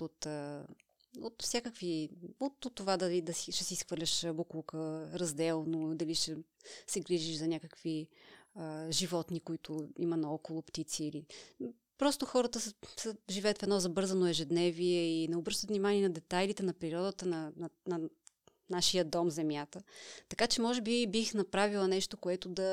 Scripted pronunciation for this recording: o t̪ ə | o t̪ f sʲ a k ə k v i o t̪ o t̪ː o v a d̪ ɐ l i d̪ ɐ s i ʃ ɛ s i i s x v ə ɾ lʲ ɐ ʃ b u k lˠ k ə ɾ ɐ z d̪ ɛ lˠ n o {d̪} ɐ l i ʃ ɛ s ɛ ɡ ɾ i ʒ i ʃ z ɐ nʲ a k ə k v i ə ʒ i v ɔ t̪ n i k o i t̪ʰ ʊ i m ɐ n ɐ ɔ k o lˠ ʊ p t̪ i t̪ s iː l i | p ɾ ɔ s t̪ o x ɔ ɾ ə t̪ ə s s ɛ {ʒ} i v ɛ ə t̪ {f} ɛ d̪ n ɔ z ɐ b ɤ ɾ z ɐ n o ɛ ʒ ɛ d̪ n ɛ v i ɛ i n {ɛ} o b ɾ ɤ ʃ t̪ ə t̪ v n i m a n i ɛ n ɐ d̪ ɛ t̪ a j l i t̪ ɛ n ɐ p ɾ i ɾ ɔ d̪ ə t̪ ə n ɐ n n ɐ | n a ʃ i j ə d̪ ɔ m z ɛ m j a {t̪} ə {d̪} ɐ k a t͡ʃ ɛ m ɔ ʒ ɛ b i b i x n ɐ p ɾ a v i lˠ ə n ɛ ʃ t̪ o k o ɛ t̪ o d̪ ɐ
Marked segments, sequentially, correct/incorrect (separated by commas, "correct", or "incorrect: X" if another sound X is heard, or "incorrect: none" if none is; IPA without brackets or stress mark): correct, correct, correct, correct, correct, incorrect: t̪